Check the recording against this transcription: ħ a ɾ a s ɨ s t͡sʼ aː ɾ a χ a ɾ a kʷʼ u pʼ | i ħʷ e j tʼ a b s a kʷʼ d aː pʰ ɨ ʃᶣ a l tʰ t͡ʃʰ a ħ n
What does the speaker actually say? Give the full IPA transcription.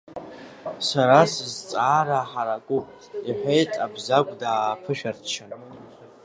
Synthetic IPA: s a ɾ a s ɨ z t͡sʼ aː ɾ a ħ a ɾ a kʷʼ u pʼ | i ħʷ e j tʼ a b z a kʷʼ d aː pʰ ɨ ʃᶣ a r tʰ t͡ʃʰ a n